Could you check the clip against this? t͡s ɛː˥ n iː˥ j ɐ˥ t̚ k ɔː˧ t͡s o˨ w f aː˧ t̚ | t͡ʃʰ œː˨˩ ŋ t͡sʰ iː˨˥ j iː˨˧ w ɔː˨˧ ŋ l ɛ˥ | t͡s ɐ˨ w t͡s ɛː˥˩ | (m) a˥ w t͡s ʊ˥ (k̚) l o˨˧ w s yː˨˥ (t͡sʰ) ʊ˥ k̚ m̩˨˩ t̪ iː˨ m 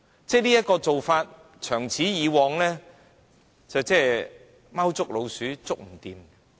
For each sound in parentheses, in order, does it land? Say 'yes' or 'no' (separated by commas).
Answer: yes, yes, no